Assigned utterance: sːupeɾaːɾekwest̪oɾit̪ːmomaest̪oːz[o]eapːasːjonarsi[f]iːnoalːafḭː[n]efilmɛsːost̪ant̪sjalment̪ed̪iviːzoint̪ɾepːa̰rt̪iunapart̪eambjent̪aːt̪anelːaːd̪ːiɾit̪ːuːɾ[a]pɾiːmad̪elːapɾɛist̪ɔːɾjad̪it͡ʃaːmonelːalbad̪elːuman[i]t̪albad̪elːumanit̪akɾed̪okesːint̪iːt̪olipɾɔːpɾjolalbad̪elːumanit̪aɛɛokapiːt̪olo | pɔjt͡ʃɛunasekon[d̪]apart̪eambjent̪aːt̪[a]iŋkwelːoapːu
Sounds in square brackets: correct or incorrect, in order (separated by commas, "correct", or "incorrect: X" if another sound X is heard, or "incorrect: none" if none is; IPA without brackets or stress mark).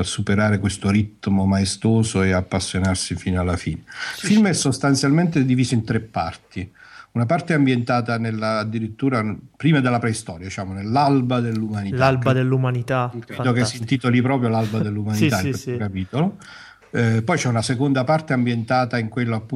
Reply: correct, correct, correct, correct, correct, correct, correct